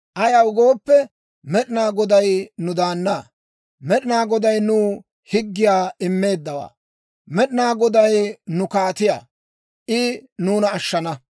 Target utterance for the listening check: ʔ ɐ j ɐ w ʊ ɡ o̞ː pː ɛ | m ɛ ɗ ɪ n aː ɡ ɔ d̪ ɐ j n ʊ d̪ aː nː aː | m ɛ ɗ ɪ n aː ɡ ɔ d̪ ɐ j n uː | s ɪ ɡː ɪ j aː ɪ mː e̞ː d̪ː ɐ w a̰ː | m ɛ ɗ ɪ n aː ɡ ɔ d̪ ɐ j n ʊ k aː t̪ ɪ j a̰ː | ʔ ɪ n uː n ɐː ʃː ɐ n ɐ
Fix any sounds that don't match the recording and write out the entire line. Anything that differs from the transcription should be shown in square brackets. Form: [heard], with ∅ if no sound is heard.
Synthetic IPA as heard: ʔ ɐ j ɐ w ʊ ɡ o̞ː pː ɛ | m ɛ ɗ ɪ n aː ɡ ɔ d̪ ɐ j n ʊ d̪ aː nː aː | m ɛ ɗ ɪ n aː ɡ ɔ d̪ ɐ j n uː | [h] ɪ ɡː ɪ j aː ɪ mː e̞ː d̪ː ɐ w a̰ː | m ɛ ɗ ɪ n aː ɡ ɔ d̪ ɐ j n ʊ k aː t̪ ɪ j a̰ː | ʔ ɪ n uː n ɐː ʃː ɐ n ɐ